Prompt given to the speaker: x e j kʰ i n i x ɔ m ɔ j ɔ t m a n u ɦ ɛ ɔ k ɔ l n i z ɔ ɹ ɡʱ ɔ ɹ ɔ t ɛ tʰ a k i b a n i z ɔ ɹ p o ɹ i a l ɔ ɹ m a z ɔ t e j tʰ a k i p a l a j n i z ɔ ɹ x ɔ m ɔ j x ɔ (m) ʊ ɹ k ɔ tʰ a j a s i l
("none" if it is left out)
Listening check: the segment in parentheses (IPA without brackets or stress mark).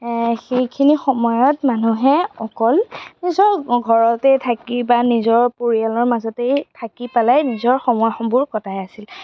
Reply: b